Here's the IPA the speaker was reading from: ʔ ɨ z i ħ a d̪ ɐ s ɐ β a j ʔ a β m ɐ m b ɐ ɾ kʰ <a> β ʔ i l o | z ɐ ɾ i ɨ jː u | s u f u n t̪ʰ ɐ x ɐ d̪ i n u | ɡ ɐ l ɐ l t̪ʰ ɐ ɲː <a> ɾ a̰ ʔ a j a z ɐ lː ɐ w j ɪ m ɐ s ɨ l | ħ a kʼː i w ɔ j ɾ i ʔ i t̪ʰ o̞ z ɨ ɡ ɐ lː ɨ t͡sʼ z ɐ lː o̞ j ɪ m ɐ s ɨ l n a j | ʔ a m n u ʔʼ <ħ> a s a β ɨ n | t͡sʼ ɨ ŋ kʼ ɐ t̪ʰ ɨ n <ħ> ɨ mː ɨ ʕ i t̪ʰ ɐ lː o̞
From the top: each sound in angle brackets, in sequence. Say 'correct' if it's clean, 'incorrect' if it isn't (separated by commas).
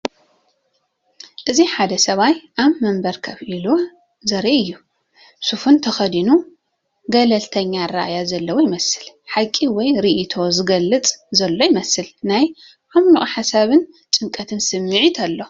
incorrect, correct, correct, incorrect